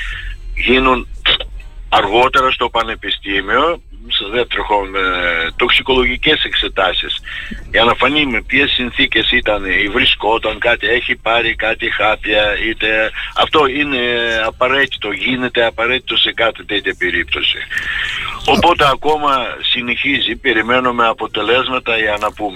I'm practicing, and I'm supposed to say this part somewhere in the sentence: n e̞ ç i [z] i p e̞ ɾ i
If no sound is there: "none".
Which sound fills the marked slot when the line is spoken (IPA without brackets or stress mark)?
z